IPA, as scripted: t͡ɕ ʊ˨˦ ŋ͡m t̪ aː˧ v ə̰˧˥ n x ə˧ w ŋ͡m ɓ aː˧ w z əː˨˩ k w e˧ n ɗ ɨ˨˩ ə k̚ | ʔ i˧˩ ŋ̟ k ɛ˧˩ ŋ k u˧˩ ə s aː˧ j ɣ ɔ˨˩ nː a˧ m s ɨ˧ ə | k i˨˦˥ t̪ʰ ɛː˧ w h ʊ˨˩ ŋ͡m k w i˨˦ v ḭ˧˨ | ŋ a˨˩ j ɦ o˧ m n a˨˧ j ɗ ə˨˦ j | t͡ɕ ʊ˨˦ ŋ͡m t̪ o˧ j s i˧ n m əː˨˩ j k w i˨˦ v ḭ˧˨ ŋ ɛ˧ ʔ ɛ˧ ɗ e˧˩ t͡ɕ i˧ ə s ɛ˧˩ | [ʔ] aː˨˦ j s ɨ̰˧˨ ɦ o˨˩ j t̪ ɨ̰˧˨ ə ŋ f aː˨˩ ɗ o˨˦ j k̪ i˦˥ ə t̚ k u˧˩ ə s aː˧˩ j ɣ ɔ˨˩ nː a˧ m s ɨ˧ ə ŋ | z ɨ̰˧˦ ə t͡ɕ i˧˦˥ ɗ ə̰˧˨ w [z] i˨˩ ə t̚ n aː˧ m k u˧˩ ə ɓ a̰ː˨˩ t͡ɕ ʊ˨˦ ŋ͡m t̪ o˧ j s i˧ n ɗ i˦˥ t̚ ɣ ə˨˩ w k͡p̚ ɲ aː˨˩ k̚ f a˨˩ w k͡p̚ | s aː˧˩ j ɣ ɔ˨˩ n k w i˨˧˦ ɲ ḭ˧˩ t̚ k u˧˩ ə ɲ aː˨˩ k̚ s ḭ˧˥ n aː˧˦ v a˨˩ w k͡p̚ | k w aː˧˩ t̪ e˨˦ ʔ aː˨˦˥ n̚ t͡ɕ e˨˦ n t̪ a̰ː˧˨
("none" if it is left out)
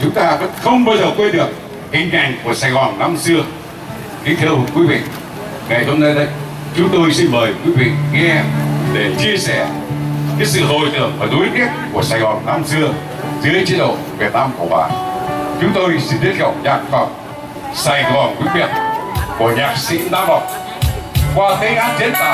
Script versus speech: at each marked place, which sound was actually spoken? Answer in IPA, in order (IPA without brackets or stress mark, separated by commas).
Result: k, v